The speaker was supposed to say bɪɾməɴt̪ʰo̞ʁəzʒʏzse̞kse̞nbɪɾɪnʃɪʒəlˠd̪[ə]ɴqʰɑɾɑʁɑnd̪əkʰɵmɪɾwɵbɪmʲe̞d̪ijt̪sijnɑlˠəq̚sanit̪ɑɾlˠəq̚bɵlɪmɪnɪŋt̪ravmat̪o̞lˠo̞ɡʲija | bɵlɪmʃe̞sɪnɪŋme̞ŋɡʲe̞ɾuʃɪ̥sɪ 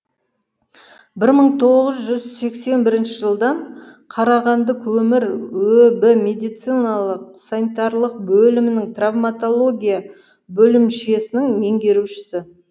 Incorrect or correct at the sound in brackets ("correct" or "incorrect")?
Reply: incorrect